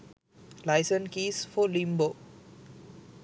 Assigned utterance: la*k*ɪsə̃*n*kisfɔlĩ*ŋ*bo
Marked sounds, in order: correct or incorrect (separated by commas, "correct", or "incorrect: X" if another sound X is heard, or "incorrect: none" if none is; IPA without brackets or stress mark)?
incorrect: none, correct, incorrect: m